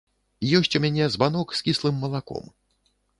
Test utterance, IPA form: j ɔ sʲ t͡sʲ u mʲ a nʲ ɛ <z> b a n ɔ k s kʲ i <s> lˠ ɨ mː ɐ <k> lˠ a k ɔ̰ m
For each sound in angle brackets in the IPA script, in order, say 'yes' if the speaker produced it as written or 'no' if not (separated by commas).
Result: yes, yes, no